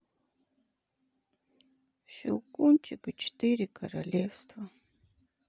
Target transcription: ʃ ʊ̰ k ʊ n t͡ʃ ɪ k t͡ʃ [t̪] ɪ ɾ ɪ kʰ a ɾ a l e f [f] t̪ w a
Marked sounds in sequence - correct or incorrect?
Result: correct, incorrect: s

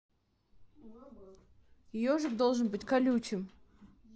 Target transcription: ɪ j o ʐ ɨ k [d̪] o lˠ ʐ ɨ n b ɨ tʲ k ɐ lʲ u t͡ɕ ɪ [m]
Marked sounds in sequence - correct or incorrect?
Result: correct, correct

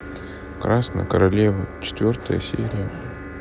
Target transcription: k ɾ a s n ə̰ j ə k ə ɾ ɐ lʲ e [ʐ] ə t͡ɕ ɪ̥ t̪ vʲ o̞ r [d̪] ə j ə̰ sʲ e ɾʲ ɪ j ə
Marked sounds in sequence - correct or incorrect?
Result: incorrect: v, incorrect: t̪

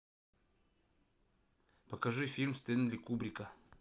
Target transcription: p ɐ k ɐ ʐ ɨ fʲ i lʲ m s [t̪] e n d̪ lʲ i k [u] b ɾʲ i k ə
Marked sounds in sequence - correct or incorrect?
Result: correct, correct

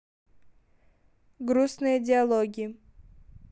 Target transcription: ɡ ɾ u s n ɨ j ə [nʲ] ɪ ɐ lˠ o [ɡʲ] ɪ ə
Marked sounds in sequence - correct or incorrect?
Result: incorrect: dʲ, correct

